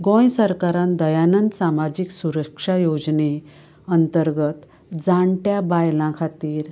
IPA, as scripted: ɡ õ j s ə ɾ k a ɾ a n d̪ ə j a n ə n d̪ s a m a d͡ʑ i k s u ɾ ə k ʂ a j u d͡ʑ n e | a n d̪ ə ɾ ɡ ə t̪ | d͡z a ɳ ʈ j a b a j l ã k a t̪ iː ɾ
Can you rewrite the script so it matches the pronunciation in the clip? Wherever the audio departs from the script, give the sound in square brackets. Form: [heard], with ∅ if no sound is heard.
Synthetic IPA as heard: ɡ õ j s ə ɾ k a ɾ a n d̪ ə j a n ə n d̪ s a m a d͡ʑ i k s u ɾ ə k ʂ a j [o] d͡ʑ n e | [ə] n [t̪] ə ɾ ɡ ə t̪ | d͡z a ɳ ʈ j a b a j l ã [kʰ] a t̪ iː ɾ